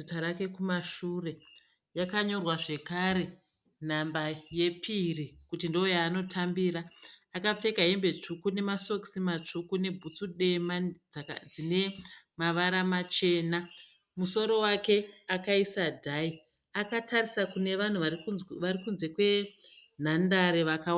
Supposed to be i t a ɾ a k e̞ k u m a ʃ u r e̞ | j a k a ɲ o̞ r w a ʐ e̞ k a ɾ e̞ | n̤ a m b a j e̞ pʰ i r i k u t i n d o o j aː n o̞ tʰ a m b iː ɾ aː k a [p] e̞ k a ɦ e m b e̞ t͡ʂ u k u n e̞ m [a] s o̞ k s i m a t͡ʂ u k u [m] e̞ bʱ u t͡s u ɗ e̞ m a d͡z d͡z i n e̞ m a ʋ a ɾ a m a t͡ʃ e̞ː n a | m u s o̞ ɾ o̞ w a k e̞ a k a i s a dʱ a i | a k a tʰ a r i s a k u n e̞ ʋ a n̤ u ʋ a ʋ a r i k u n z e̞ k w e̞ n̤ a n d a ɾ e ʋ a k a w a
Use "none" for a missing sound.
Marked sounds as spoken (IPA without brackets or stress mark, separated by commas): p͡f, a, n